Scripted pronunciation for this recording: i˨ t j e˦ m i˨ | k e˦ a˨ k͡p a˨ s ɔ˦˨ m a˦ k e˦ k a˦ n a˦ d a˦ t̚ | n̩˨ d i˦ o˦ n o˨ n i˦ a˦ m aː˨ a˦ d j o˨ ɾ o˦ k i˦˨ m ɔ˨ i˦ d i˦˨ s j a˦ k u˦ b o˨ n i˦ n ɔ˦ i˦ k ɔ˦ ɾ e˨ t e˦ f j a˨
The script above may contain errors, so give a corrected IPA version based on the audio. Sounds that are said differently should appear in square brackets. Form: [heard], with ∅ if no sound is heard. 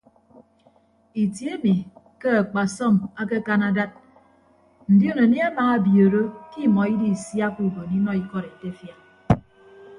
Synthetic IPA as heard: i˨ t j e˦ m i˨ | k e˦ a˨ k͡p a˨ s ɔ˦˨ m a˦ k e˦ k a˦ n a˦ d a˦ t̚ | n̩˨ d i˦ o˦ n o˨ n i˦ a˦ m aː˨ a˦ [b] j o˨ ɾ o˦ k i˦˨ m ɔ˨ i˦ d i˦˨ s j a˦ k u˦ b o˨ n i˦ n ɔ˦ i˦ k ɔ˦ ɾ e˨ t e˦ f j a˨

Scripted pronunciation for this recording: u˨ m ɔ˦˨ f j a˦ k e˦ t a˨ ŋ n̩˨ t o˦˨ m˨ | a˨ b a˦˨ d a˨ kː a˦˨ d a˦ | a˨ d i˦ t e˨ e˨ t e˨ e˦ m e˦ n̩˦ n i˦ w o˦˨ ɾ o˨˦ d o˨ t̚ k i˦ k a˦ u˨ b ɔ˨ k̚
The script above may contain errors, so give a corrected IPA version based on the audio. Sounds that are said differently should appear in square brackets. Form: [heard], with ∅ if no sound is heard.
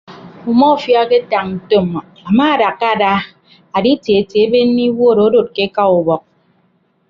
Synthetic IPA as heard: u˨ m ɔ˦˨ f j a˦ k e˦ t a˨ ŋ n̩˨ t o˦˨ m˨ | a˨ [m] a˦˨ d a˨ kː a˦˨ d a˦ | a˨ d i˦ t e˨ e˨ t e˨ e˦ [b] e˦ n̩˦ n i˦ w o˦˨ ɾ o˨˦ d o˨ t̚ k [e˦] k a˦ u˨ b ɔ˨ k̚

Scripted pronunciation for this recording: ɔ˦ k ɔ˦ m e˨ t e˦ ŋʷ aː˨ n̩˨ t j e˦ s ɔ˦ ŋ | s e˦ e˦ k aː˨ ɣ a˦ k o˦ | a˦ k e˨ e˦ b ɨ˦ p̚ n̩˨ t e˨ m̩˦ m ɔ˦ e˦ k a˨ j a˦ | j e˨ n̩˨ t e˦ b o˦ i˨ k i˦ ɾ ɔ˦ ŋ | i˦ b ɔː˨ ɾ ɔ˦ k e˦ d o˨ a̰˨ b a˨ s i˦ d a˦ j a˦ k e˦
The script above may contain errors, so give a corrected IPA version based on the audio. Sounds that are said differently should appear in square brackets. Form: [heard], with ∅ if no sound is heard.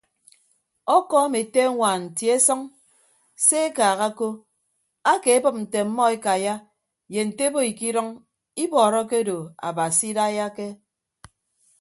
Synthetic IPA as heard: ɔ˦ k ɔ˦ m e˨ t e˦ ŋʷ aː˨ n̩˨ t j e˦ s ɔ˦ ŋ | s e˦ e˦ k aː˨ ɣ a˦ k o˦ | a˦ k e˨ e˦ b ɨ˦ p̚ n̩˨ t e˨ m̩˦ m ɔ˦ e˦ k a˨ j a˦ | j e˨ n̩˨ t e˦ b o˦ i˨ k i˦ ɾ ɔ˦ ŋ | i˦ b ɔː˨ ɾ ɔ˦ k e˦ d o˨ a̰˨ b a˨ s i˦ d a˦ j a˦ k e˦

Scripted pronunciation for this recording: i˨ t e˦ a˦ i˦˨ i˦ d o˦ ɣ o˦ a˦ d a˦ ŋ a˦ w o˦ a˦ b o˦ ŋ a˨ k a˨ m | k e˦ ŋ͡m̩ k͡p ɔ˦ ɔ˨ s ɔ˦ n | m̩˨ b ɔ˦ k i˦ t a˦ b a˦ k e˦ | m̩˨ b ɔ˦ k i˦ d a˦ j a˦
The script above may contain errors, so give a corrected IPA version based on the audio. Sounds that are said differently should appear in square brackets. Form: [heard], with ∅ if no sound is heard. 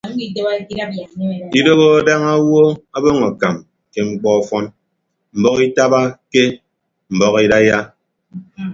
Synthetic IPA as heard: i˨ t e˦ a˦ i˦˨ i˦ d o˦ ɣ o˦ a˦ d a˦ ŋ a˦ w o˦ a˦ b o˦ ŋ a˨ k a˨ m | k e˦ ŋ͡m̩ k͡p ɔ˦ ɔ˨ [f] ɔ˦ n | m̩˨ b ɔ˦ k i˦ t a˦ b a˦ k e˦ | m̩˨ b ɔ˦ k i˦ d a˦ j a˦

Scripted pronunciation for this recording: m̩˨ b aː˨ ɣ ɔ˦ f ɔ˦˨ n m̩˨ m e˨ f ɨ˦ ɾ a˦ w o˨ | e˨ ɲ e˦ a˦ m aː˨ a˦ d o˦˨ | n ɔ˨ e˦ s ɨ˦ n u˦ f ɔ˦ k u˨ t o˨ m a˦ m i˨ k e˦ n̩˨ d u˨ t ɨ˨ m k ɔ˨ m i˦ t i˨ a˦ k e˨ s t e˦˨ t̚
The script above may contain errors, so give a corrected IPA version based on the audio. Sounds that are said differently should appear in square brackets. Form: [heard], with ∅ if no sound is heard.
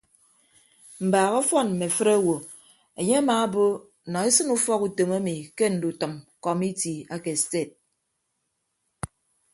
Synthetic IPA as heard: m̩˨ b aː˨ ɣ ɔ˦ f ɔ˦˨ n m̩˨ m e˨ f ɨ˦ ɾ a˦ w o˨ | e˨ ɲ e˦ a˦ m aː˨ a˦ [b] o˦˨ | n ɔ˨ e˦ s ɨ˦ n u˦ f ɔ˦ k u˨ t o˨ m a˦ m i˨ k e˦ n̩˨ d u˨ t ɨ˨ m k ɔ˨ m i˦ t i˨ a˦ k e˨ s t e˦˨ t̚

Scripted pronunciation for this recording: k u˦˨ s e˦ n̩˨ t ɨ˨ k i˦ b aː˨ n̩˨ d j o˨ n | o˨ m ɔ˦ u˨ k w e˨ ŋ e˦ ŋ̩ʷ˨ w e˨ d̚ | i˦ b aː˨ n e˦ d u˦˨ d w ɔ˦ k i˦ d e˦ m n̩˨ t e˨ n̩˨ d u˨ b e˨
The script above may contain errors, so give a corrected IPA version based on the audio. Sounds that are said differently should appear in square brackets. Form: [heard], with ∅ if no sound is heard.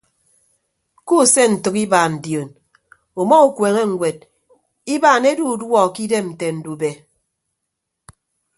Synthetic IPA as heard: k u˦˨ s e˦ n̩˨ t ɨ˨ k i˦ b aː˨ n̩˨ d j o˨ n | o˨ m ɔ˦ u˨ k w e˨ ŋ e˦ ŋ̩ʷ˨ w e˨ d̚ | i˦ b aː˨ n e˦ d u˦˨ d w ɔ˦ k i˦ d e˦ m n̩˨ t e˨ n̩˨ d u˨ b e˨

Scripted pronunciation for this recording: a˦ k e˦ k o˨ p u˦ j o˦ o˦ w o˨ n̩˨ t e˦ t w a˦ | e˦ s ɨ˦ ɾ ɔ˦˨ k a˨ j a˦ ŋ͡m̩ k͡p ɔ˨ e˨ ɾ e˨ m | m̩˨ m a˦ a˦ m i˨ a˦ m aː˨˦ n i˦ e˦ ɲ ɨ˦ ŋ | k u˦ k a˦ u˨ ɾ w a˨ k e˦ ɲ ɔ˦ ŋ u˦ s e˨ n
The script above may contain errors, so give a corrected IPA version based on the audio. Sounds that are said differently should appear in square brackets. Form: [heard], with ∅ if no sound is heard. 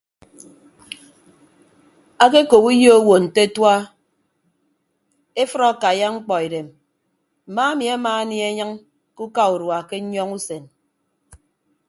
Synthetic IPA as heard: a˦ k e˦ k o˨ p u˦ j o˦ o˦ w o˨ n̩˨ t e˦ t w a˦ | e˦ [f] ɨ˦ ɾ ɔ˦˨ k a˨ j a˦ ŋ͡m̩ k͡p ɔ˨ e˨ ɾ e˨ m | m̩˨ m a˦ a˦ m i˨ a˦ m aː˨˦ n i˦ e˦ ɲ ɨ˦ ŋ | k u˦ k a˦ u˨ ɾ w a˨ k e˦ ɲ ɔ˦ ŋ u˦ s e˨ n

